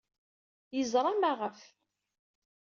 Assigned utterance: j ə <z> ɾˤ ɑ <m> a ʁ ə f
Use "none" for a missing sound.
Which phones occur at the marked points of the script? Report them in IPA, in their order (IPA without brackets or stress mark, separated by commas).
z, m